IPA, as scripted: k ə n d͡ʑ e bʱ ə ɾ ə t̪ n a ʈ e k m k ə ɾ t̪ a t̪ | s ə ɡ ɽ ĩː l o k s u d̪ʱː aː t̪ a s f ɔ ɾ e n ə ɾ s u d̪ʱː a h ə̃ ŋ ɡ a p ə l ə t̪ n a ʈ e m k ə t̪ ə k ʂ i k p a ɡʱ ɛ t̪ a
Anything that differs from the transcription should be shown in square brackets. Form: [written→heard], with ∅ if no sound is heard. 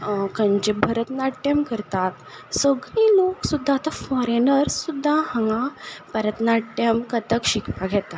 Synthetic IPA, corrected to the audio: k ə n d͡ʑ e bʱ ə ɾ ə t̪ n a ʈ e [k→∅] m k ə ɾ t̪ a t̪ | s ə ɡ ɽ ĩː l o k s u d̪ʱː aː t̪ a [s→∅] f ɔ ɾ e n ə ɾ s u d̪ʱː a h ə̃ ŋ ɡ a p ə [l→ɾ] ə t̪ n a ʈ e m k ə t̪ ə k [ʂ→ɕ] i k p a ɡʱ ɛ t̪ a